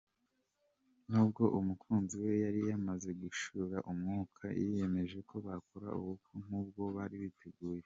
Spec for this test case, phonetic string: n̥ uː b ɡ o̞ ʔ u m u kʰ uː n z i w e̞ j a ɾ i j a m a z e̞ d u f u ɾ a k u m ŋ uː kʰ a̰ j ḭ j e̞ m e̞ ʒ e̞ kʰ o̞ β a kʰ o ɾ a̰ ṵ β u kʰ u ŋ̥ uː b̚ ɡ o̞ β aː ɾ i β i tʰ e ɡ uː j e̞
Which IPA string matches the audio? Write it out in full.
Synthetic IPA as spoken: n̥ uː b ɡ o̞ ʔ u m u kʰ uː n z i w e̞ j a ɾ i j a m a z e̞ ɡ u ʃ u ɾ a ʔ u m ŋ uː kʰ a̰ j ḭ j e̞ m e̞ ʒ e̞ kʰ o̞ β a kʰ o ɾ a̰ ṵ β u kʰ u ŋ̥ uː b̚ ɡ o̞ β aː ɾ i β i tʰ e ɡ uː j e̞